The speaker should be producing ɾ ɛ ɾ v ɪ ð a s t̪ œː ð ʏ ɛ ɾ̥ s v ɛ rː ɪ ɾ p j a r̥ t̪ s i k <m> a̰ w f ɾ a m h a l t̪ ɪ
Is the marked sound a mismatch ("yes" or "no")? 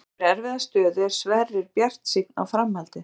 yes